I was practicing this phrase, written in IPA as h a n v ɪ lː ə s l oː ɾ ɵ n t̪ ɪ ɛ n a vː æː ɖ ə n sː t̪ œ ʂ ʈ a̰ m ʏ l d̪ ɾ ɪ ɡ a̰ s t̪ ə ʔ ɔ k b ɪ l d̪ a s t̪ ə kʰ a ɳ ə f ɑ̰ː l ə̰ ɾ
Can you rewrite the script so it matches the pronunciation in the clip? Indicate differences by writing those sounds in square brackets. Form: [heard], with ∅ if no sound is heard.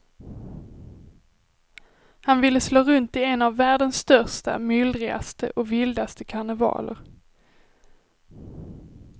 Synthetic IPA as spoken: h a n v ɪ lː ə s l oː ɾ ɵ n t̪ ɪ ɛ n a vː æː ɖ ə n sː t̪ œ ʂ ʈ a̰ m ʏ l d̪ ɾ ɪ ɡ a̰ s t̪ ə ʔ ɔ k [v] ɪ l d̪ a s t̪ ə kʰ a ɳ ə [v] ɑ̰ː l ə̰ ɾ